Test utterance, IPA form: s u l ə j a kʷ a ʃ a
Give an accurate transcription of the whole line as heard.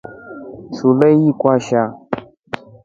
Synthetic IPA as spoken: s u l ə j i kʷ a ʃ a